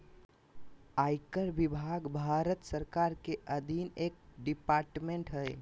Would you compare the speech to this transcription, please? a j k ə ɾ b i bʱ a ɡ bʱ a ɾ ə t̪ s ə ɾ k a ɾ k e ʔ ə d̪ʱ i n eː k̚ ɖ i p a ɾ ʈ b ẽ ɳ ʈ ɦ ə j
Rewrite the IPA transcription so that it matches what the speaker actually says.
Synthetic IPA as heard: a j k ə ɾ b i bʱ a ɡ bʱ a ɾ ə t̪ s ə ɾ k a ɾ k e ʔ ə d̪ʱ i n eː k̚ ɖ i p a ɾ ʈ m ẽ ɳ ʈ ɦ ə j